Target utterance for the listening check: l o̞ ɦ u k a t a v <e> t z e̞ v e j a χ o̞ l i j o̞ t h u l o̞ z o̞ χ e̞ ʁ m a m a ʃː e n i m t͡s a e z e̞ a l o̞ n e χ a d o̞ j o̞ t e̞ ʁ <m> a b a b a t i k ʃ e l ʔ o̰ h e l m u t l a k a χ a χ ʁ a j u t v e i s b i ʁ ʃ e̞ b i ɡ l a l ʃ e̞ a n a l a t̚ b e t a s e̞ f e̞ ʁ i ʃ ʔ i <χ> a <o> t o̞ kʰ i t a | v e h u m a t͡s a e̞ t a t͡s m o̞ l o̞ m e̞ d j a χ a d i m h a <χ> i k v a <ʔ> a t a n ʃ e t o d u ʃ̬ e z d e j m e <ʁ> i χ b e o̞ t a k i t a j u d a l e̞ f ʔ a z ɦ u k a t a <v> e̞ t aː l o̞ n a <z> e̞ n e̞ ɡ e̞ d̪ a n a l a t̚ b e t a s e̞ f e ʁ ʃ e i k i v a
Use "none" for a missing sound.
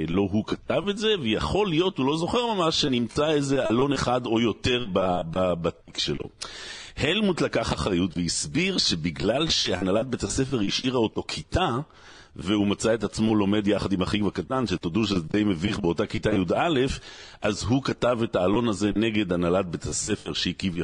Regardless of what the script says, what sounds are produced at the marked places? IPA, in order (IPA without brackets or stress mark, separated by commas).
e, b, ʁ, o, χ, k, v, v, z